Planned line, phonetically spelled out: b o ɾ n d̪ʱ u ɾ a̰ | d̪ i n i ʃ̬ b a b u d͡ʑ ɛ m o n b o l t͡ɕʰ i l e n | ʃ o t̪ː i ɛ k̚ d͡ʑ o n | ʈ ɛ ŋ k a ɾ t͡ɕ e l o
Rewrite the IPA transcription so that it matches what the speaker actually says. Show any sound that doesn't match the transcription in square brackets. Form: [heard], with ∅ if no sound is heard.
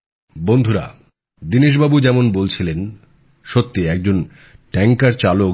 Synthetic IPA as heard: b o [∅] n d̪ʱ u ɾ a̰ | d̪ i n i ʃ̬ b a b u d͡ʑ ɛ m o n b o l t͡ɕʰ i l e n | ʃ o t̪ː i ɛ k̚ d͡ʑ o n | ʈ ɛ ŋ k a ɾ t͡ɕ [a] l o